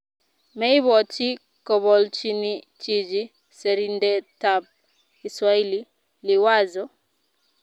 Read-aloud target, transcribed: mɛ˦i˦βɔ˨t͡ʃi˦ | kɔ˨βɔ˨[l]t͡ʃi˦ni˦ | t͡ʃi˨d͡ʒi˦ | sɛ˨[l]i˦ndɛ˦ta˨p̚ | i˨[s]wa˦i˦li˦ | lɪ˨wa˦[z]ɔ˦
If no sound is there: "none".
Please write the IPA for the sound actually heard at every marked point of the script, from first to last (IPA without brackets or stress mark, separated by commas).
l, ɾ, s, z